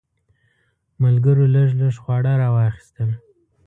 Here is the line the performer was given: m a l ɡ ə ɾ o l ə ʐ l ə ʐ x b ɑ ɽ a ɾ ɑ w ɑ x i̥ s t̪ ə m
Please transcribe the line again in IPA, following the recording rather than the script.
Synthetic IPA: m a l ɡ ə ɾ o l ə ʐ l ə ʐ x w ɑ ɽ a ɾ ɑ w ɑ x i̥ s t̪ ə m